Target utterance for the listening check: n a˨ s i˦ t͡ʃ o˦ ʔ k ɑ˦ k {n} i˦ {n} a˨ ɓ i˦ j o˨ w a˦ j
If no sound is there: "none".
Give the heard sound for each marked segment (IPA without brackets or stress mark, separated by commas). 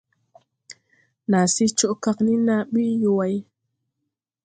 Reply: n, n